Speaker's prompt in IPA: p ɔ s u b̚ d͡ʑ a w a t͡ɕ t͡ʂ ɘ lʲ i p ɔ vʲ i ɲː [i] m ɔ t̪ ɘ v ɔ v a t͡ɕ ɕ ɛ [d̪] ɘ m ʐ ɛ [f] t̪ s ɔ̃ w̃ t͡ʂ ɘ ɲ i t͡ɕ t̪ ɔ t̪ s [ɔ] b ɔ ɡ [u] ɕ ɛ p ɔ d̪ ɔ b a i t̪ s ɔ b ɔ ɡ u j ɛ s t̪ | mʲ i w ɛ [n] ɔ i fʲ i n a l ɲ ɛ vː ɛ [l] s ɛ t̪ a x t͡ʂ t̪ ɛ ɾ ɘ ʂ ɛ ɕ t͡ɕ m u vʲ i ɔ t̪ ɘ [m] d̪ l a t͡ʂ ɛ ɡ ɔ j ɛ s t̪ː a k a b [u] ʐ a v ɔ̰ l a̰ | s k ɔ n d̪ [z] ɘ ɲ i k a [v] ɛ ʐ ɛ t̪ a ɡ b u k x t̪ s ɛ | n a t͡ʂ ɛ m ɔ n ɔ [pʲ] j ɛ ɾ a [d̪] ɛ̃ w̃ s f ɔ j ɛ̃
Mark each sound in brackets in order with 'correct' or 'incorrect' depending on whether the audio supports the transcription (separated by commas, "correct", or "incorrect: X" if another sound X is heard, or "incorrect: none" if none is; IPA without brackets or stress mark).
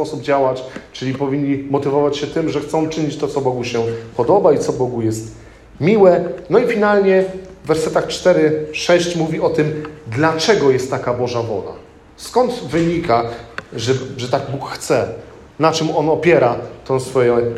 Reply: correct, incorrect: t̪, incorrect: x, correct, correct, correct, incorrect: ɾ, correct, incorrect: ɔ, incorrect: v, incorrect: ʐ, correct, incorrect: t̪